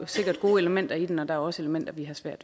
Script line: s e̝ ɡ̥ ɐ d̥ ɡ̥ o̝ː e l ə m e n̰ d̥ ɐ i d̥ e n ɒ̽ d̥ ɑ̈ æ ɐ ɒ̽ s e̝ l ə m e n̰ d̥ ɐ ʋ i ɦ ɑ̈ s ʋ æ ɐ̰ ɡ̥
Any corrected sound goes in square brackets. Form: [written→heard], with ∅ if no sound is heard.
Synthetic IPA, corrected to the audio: s e̝ ɡ̥ ɐ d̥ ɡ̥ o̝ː e l ə m e n̰ d̥ ɐ i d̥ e n ɒ̽ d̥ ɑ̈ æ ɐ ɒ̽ s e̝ l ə m e n̰ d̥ ɐ ʋ i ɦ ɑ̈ s ʋ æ ɐ̰ [ɡ̥→d̥]